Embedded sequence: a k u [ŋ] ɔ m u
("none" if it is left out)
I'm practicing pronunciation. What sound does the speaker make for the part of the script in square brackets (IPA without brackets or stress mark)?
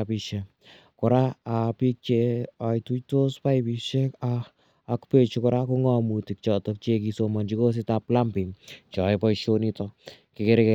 ŋ